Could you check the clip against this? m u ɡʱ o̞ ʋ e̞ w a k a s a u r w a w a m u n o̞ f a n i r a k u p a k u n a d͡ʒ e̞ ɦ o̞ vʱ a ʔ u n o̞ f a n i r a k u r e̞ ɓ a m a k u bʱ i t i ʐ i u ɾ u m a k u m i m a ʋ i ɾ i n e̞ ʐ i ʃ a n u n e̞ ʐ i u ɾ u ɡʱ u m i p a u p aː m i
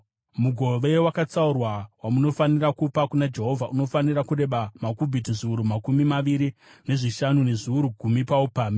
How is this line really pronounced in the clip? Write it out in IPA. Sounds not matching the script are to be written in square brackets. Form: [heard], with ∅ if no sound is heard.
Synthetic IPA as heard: m u ɡʱ o̞ ʋ e̞ w a k a [t͡s] a u r w a w a m u n o̞ f a n i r a k u p a k u n a d͡ʒ e̞ ɦ o̞ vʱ a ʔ u n o̞ f a n i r a k u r e̞ ɓ a m a k u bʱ i t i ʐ i u ɾ u m a k u m i m a ʋ i ɾ i n e̞ ʐ i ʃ a n u n e̞ ʐ i u ɾ u ɡʱ u m i p a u p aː m i